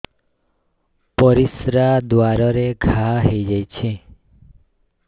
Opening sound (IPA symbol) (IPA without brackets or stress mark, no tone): p